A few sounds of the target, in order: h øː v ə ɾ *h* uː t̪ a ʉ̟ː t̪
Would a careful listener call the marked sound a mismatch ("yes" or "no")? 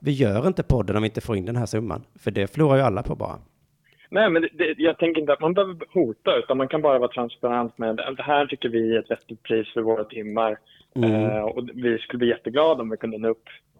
no